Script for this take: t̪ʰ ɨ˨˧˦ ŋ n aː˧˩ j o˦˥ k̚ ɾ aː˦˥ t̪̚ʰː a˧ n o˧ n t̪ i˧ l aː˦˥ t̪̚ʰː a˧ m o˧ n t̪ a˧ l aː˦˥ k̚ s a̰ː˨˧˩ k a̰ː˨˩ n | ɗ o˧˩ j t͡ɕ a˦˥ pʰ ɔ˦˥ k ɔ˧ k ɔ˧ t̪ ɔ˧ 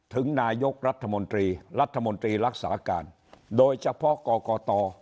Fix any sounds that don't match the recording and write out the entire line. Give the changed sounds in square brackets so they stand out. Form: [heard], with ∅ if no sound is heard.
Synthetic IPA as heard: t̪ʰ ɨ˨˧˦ ŋ n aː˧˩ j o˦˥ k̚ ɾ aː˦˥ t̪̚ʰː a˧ [m] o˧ n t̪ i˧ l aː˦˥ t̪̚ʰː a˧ m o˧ n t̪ [i˧] l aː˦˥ k̚ s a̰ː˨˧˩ k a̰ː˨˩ n | ɗ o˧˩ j t͡ɕ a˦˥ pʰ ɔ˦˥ k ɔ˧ k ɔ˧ t̪ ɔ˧